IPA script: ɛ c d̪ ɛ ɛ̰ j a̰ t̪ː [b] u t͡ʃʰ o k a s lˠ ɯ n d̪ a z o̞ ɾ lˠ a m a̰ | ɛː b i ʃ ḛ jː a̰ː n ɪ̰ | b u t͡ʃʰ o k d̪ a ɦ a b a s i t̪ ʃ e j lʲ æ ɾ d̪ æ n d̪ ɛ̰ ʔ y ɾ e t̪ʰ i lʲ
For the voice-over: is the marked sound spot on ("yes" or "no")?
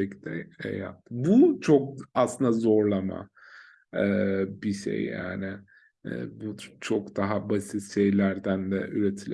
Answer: yes